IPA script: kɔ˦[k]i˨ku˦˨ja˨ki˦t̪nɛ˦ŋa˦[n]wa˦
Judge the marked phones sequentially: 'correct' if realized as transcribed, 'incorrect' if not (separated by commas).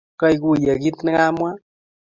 incorrect, incorrect